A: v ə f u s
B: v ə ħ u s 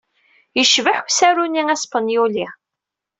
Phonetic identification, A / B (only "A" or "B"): B